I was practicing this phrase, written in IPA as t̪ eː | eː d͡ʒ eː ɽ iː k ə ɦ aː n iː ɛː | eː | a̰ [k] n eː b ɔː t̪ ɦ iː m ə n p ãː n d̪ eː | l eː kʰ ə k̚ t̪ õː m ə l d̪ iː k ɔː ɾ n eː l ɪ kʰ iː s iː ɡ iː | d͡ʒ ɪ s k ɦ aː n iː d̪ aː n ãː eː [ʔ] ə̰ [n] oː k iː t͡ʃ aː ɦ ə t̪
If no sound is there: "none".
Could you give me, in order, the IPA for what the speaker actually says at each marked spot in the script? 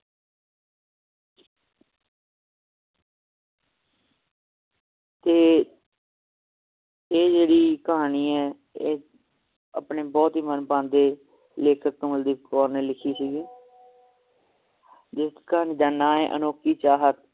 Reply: p, ʔ, n

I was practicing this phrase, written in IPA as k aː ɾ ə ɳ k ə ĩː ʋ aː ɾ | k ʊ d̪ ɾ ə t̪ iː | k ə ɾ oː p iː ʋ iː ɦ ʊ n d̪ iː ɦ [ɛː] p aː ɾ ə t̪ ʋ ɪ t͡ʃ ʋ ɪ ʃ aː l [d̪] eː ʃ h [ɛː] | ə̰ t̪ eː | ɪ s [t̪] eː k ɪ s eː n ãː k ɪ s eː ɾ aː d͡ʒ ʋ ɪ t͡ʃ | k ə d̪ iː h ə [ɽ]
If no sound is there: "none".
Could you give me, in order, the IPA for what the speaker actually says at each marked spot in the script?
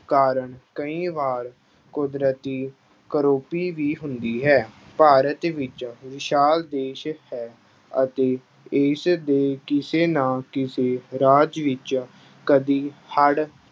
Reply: ɛː, d̪, ɛː, d̪, ɽ

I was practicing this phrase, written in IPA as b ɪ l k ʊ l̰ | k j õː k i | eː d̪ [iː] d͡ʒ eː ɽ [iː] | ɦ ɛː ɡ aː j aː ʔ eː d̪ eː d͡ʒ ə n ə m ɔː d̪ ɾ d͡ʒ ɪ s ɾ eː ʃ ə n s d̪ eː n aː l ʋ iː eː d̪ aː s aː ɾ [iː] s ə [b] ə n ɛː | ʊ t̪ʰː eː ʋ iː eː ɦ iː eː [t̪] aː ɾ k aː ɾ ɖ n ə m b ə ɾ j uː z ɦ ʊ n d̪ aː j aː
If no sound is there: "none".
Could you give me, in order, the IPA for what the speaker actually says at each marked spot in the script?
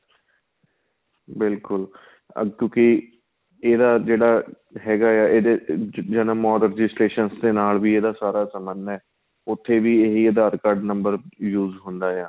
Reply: aː, aː, aː, m, d̪

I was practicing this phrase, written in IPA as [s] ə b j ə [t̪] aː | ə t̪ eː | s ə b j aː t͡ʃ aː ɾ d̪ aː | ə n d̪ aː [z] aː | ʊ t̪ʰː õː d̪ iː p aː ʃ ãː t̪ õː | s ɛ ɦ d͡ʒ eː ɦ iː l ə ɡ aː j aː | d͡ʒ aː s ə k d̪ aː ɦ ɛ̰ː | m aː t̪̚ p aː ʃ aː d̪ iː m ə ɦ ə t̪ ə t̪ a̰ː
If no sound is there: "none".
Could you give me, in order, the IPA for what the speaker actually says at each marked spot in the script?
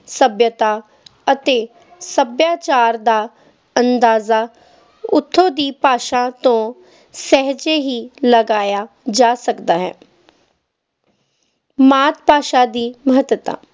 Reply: s, t̪, z

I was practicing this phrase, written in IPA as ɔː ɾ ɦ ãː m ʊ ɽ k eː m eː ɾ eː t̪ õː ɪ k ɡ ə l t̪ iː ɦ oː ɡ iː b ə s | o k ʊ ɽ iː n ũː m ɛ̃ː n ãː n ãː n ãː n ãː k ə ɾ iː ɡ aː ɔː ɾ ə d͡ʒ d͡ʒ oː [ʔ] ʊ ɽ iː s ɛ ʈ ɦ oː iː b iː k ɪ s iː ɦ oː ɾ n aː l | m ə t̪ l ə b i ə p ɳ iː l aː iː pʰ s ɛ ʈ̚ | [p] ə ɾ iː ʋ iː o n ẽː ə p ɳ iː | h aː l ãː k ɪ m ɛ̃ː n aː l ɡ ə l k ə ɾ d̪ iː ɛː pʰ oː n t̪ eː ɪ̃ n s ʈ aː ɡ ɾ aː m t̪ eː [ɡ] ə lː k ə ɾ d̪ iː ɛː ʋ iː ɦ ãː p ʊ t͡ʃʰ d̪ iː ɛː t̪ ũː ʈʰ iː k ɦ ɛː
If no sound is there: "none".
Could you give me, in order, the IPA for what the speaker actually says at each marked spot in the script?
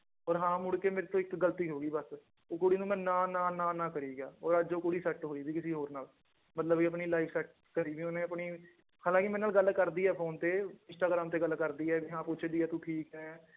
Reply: k, k, ɡ

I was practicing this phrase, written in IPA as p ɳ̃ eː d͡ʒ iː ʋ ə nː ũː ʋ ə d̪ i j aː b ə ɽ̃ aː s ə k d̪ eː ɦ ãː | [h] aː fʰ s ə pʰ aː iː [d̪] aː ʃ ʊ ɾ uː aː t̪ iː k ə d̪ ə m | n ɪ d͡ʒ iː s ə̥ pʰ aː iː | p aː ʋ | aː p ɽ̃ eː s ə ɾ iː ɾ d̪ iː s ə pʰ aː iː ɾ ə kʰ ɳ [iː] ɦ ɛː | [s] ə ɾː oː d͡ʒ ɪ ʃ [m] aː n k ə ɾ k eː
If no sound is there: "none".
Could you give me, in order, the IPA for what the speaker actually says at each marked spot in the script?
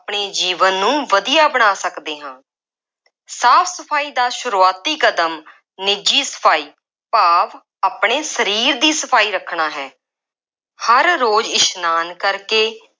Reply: s, d̪, aː, h, n

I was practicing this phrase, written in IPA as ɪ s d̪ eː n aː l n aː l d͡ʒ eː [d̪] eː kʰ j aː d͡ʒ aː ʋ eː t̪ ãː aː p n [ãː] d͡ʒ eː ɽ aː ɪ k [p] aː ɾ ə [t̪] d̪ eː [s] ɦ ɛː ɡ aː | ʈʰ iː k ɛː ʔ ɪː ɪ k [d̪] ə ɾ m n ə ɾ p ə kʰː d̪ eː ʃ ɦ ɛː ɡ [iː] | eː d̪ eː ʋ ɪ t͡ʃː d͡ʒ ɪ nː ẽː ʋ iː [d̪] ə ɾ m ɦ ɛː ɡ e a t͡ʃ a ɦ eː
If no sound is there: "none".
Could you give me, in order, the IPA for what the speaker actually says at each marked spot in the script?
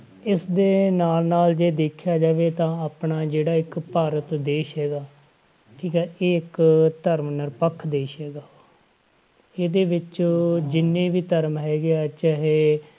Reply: d̪, aː, p, t̪, ʃ, t̪, aː, t̪

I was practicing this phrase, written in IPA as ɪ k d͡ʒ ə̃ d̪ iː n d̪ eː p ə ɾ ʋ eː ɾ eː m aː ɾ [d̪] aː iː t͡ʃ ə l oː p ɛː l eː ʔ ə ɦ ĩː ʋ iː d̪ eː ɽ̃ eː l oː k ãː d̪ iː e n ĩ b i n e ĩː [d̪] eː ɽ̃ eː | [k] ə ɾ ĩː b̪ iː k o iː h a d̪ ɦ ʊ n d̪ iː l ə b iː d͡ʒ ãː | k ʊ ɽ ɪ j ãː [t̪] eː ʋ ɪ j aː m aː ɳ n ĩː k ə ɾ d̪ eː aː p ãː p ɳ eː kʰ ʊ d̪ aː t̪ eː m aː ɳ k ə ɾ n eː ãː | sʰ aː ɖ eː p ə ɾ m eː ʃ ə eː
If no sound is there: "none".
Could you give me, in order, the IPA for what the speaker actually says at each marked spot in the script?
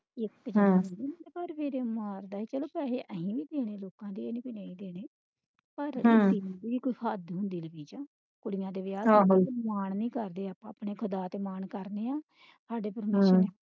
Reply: d̪, d̪, p, d̪

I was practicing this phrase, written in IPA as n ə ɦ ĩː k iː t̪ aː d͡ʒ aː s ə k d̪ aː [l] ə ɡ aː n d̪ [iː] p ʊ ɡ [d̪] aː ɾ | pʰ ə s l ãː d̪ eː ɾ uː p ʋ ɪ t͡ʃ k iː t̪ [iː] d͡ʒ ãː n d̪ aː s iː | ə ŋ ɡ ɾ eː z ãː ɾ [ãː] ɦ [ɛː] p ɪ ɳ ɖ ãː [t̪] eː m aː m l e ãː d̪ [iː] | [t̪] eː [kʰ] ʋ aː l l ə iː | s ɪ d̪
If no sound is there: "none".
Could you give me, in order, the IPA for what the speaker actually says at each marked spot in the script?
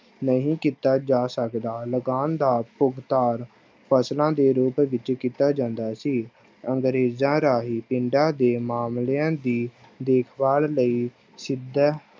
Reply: l, aː, t̪, aː, aː, iː, d̪, iː, d̪, kʰ

